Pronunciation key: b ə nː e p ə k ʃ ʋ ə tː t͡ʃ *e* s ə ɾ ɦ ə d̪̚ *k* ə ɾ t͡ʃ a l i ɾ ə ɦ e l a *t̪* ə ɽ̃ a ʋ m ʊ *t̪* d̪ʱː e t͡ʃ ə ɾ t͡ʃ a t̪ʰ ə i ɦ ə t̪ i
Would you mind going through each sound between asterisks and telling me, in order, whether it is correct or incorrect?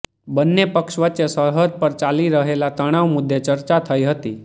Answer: correct, incorrect, correct, incorrect

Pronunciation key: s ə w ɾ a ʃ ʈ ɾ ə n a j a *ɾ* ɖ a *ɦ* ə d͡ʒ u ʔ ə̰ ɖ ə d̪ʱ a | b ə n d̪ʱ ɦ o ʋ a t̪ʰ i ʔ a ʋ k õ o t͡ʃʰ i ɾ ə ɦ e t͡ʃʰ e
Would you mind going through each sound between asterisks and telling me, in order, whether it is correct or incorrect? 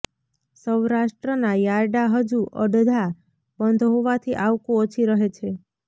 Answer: correct, correct

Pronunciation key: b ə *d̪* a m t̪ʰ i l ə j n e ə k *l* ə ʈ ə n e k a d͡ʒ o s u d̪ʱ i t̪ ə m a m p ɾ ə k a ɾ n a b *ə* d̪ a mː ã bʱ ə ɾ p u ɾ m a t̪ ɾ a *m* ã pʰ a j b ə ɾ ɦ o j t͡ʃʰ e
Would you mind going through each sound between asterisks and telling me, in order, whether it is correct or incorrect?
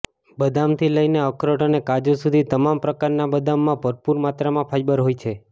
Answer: correct, incorrect, correct, correct

